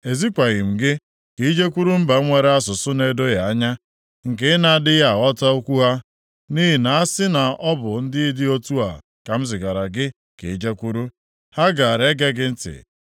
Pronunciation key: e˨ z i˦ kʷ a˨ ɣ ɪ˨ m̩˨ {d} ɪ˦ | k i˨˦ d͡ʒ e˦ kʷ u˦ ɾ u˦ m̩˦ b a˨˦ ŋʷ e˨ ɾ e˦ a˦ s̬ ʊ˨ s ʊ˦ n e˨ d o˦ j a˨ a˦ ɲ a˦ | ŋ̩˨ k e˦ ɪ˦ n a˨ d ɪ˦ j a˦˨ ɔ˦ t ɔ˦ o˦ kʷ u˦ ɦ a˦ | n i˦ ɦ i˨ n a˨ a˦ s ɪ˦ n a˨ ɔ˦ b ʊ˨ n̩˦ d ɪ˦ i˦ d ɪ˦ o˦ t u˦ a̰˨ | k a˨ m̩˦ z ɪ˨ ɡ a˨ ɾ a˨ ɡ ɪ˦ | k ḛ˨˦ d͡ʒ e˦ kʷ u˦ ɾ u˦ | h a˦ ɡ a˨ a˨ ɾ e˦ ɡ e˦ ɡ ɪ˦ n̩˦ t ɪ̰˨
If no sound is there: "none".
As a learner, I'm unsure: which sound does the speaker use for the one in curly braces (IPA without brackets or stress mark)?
ɡ